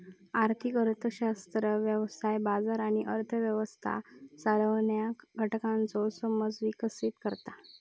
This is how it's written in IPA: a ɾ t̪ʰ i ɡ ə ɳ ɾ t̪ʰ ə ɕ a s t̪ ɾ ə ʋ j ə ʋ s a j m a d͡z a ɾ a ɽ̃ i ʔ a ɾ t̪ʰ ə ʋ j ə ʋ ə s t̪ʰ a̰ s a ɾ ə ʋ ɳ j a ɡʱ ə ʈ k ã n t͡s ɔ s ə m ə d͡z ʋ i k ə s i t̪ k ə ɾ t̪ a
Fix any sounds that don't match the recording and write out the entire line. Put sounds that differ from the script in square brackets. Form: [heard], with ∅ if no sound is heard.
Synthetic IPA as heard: a ɾ t̪ʰ i [k] ə [∅] ɾ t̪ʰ ə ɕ a s t̪ ɾ ə ʋ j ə ʋ s a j [b] a d͡z a ɾ a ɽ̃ i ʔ [ə] ɾ t̪ʰ ə ʋ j ə ʋ ə s t̪ʰ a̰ s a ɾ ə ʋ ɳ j a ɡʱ ə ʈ k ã n t͡s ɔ s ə m ə d͡z ʋ i k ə s i t̪ k ə ɾ t̪ a